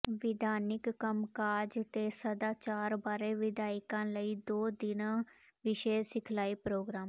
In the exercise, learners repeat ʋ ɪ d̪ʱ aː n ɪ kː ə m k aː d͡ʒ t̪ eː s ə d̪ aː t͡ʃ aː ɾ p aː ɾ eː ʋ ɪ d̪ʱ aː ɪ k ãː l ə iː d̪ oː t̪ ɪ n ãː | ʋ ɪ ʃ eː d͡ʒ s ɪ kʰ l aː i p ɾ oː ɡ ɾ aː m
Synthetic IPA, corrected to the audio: ʋ ɪ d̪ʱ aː n ɪ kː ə m k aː d͡ʒ t̪ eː s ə d̪ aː t͡ʃ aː ɾ b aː ɾ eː ʋ ɪ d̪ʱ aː ɪ k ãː l ə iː d̪ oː d̪ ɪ n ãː | ʋ ɪ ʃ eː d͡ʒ s ɪ kʰ l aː i p ɾ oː ɡ ɾ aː m